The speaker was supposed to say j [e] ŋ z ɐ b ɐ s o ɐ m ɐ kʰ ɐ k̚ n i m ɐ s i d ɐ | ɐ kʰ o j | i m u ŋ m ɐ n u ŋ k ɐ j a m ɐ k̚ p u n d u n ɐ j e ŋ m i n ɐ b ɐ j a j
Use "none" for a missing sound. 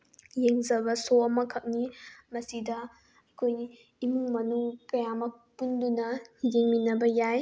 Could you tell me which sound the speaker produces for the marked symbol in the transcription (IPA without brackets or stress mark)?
e